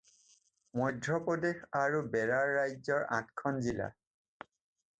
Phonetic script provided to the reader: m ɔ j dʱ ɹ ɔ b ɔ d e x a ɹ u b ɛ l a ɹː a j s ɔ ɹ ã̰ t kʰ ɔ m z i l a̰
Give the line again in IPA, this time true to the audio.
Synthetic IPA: m ɔ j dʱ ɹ ɔ p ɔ d e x a ɹ u b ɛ ɹ a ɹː a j z ɔ ɹ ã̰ t kʰ ɔ n z i l a̰